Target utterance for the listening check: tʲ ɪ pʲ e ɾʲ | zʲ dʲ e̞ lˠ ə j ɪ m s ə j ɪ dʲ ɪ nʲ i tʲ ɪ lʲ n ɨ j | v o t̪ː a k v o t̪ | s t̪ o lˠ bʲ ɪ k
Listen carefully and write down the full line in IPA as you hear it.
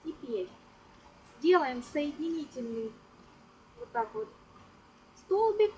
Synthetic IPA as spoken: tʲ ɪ pʲ e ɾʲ | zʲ dʲ e̞ lˠ ə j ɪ m s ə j ɪ dʲ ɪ nʲ i tʲ ɪ lʲ n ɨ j | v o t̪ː a k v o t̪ | s t̪ o lˠ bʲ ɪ k